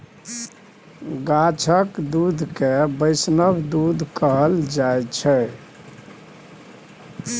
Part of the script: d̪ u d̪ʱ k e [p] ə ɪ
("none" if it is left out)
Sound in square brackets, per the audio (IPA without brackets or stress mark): b